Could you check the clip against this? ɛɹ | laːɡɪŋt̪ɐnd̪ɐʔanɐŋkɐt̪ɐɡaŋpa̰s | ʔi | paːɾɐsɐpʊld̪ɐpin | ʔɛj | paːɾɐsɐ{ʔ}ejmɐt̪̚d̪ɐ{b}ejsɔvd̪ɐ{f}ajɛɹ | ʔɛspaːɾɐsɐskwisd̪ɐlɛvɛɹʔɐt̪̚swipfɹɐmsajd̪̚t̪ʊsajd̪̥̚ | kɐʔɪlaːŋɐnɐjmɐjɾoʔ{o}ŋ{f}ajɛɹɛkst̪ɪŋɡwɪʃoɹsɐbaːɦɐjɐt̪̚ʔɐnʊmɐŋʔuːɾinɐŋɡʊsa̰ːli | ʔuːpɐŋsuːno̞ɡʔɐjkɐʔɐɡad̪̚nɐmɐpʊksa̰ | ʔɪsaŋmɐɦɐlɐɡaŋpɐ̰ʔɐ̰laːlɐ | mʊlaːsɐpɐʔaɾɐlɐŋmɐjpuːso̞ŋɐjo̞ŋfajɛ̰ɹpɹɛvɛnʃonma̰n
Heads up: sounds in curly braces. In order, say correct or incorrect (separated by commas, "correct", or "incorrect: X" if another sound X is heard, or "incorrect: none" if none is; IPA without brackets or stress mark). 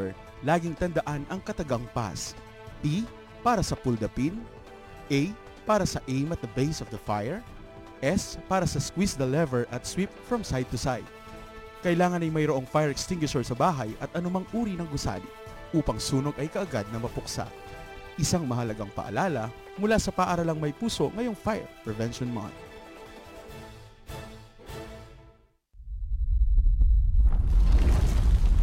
correct, correct, correct, correct, correct